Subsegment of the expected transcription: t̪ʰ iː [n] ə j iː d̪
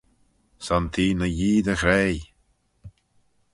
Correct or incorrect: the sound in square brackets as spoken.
correct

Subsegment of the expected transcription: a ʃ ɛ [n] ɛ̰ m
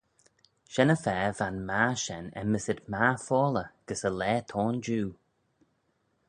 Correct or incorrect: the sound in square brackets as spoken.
correct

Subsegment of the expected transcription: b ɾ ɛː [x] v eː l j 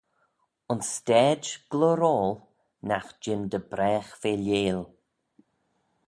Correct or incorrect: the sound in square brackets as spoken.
correct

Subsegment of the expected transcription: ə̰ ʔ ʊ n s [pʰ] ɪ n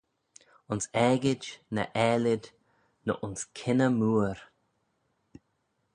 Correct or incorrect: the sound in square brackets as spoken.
incorrect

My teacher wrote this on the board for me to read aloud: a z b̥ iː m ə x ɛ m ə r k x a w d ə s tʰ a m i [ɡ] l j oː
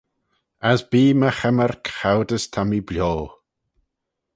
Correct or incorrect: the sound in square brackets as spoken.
incorrect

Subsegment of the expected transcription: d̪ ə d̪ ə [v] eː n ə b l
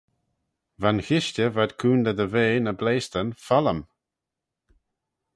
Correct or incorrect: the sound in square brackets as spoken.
correct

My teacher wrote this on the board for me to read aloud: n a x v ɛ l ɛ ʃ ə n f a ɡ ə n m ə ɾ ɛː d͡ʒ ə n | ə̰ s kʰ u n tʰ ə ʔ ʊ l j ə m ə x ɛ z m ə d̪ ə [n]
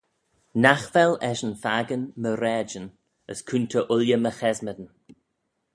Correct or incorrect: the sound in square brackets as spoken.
correct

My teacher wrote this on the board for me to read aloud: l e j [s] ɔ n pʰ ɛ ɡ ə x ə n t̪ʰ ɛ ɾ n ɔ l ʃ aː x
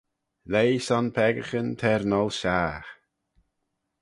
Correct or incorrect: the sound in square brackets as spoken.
correct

